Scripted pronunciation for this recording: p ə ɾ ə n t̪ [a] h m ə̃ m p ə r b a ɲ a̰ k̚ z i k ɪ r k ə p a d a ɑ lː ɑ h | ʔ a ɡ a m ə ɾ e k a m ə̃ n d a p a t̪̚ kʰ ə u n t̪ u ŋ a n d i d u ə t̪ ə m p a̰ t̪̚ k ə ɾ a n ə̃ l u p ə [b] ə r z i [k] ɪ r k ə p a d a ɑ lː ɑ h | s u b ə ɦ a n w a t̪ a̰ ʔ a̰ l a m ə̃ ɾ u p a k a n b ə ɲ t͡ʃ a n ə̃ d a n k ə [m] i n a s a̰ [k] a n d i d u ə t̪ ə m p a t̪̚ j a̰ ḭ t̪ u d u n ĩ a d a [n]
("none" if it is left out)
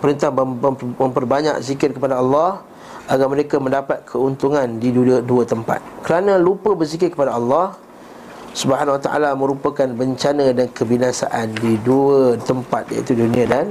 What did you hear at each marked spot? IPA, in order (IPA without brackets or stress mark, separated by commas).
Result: a, b, k, b, ʔ, n